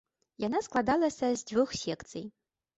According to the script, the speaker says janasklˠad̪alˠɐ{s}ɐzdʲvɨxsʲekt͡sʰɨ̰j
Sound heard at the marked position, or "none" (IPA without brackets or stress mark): s